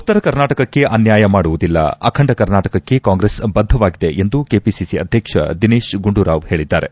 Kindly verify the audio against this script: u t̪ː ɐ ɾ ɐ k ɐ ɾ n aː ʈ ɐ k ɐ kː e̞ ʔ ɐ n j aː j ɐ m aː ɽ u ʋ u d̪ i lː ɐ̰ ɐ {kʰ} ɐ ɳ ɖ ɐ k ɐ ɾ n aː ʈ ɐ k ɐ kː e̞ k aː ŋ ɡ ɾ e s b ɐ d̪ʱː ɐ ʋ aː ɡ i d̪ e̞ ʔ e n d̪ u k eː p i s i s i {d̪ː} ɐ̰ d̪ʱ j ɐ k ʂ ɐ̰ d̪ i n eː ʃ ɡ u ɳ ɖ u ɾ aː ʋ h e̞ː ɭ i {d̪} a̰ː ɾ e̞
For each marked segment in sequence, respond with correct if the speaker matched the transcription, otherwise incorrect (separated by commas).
correct, incorrect, incorrect